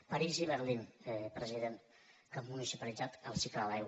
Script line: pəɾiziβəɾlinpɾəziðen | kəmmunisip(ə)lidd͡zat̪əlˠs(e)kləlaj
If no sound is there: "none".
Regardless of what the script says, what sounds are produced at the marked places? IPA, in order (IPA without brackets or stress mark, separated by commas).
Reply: ə, i